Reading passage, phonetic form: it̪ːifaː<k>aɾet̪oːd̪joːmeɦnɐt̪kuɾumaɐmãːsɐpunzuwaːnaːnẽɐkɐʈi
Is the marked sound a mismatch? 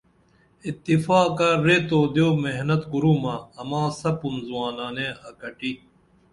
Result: no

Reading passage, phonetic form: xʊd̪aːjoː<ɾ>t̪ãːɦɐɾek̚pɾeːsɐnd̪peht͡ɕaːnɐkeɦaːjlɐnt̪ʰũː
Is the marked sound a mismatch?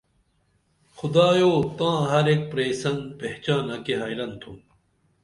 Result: yes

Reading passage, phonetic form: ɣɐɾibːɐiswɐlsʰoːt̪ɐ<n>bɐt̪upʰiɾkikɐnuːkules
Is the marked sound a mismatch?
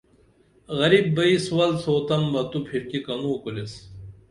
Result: yes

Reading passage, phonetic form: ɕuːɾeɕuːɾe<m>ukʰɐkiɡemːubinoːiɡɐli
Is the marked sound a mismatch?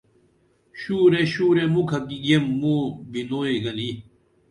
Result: no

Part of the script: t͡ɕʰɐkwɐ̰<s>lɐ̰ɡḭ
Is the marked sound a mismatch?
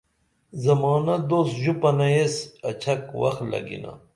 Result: yes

